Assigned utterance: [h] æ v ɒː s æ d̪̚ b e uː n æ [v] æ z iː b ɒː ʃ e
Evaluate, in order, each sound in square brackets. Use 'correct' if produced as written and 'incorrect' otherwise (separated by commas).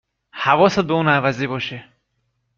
correct, correct